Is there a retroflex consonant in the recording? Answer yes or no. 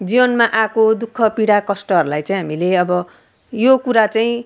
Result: yes